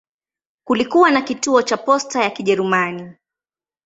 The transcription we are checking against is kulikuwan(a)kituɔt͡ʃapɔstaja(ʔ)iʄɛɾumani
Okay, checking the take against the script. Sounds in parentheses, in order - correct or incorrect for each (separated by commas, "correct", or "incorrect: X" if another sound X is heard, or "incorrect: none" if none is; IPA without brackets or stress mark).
correct, incorrect: k